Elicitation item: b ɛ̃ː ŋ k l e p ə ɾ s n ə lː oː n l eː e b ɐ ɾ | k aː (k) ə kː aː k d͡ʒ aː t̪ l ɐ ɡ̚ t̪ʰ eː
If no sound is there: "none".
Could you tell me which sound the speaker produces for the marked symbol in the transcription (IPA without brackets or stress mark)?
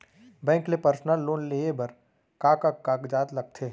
k